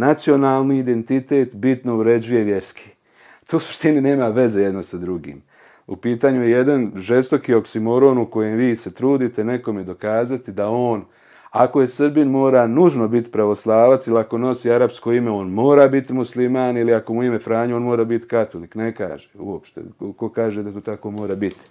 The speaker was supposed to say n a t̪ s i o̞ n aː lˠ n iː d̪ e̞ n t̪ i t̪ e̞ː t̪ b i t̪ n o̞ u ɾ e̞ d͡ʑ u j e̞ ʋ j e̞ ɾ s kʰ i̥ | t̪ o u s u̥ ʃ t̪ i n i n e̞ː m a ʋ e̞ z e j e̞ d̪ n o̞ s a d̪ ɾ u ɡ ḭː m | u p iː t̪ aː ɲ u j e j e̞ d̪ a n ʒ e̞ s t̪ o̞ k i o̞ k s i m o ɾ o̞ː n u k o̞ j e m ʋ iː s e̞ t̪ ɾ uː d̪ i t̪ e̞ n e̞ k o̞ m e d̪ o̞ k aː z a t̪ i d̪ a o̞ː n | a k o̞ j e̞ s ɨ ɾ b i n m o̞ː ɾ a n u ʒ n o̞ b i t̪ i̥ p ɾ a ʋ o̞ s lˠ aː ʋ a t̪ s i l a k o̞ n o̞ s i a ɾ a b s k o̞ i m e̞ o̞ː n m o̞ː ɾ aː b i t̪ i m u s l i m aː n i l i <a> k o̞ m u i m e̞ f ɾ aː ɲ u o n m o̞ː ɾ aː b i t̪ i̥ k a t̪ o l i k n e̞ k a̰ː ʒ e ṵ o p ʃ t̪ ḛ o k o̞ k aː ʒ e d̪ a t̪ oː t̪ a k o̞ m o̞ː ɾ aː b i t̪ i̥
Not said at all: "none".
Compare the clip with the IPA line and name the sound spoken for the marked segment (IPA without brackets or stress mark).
a